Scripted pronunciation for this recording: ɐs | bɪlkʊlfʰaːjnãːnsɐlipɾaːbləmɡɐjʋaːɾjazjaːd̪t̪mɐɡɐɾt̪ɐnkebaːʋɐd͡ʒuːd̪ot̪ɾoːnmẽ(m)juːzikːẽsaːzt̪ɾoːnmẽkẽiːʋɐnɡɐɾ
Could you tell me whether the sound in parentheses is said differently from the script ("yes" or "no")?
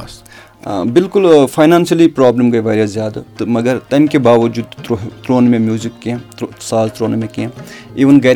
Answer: no